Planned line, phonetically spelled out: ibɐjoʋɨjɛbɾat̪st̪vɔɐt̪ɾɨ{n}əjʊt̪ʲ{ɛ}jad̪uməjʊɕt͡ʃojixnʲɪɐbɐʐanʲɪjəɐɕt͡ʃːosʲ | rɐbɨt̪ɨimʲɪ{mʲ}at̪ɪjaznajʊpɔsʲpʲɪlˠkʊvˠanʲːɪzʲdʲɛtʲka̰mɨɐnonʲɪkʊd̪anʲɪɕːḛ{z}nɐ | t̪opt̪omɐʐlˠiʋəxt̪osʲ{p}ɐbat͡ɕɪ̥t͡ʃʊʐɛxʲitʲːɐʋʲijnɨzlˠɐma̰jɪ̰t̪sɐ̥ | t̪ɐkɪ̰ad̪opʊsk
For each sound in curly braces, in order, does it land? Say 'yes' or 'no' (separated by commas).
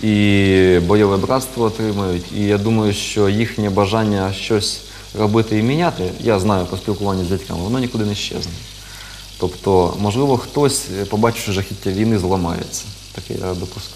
no, no, no, yes, yes